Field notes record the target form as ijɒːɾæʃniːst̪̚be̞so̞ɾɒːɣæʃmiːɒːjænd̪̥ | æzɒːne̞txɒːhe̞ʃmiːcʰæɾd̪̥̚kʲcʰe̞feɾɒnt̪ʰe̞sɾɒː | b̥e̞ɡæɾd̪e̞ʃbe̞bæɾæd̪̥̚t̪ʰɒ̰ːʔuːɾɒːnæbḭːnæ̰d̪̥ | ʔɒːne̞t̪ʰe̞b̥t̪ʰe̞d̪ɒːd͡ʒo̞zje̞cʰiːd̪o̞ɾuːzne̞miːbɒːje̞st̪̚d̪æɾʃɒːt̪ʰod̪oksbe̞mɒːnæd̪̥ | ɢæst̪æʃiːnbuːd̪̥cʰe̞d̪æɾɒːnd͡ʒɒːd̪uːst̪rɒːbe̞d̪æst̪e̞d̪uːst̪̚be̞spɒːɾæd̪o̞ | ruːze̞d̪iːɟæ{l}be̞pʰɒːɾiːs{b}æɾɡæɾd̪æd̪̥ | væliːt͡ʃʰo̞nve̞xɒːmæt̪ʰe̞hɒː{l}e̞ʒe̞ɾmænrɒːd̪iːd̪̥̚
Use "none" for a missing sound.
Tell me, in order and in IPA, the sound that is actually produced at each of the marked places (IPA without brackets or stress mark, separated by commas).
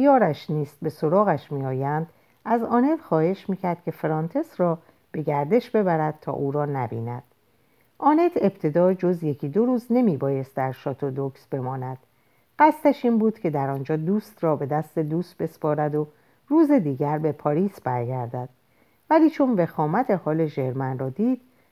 ɾ, b, l